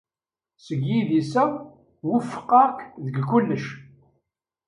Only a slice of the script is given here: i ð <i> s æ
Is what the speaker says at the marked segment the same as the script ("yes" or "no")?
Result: yes